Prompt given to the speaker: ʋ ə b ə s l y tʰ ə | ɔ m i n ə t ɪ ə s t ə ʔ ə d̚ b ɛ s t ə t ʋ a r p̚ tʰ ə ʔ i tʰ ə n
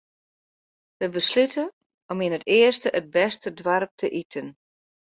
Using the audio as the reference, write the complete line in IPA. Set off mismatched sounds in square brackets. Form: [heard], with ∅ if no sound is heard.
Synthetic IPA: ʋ ə b ə s l y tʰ ə | ɔ m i n ə t ɪ ə s t ə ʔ ə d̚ b ɛ s t ə [d] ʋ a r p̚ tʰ ə ʔ i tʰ ə n